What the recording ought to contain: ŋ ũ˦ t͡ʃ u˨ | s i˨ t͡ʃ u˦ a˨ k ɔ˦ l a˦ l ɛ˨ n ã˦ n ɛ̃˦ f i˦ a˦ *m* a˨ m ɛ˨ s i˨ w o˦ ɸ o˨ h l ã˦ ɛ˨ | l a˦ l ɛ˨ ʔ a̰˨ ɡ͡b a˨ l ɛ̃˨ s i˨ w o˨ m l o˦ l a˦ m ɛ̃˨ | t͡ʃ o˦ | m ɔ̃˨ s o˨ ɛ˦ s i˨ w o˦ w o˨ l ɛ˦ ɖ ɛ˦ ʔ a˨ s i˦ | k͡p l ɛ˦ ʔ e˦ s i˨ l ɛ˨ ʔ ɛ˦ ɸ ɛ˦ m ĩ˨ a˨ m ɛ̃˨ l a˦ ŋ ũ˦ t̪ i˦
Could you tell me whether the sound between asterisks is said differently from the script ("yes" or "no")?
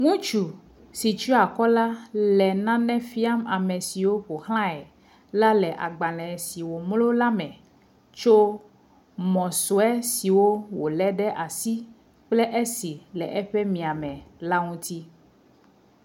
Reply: no